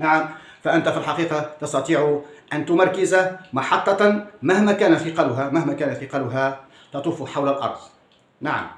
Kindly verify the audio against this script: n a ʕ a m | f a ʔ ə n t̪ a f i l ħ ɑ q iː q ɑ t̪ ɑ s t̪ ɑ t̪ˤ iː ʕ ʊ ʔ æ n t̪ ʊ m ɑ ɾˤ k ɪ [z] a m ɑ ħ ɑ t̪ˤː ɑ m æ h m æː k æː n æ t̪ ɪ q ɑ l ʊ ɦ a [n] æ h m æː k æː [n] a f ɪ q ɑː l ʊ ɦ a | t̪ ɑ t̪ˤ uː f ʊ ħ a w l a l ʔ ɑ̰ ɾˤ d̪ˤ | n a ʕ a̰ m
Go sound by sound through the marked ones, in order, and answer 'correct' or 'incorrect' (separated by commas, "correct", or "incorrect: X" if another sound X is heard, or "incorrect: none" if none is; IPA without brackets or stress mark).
correct, incorrect: m, correct